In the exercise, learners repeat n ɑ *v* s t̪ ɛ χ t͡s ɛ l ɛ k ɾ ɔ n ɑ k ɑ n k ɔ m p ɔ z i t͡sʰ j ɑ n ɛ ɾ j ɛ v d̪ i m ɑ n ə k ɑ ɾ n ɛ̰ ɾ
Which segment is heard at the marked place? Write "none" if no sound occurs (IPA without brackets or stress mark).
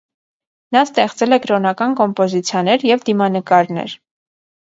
none